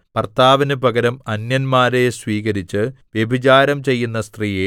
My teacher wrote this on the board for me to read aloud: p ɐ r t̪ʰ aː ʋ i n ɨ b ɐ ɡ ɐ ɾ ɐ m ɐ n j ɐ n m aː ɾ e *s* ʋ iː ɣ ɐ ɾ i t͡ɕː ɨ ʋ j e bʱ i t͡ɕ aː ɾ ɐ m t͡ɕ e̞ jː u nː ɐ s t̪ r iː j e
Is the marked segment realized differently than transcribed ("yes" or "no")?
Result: no